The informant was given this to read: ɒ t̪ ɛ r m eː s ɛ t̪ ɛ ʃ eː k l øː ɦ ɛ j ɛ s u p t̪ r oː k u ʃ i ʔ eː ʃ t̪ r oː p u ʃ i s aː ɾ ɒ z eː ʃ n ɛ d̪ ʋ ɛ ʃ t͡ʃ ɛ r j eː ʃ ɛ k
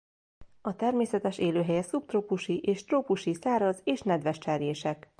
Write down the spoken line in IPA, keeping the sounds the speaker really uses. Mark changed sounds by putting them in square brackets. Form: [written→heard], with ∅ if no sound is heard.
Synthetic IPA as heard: ɒ t̪ ɛ r m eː s ɛ t̪ ɛ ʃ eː [k→∅] l øː ɦ ɛ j ɛ s u p t̪ r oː [k→p] u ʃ i ʔ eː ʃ t̪ r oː p u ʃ i s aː ɾ ɒ z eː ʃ n ɛ d̪ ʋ ɛ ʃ t͡ʃ ɛ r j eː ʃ ɛ k